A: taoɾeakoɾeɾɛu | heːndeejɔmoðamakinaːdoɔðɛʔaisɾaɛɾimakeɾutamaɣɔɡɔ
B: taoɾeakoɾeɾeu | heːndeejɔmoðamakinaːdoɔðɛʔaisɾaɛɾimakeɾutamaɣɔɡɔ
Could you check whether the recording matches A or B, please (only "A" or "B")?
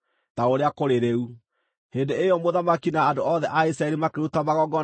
B